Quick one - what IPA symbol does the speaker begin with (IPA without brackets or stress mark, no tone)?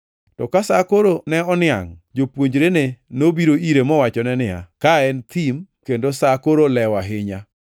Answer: t